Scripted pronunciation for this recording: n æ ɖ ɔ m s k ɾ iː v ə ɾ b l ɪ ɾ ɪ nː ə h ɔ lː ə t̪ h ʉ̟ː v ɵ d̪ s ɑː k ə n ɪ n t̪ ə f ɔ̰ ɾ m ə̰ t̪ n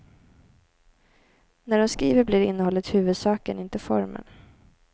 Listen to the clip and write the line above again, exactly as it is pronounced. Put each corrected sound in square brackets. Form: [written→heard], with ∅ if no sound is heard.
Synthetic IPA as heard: n æ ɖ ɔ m s k ɾ iː v ə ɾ b l ɪ ɾ ɪ nː ə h ɔ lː ə t̪ h ʉ̟ː v ɵ d̪ s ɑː k ə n ɪ n t̪ ə f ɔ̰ ɾ m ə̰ [t̪→∅] n